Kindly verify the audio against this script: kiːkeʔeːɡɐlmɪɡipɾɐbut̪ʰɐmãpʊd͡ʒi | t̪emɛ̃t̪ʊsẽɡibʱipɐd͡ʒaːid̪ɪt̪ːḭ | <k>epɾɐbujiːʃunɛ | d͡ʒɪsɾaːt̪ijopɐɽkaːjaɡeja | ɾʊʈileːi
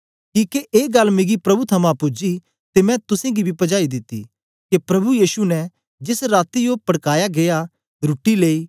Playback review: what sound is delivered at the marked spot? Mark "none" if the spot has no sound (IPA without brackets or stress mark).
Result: k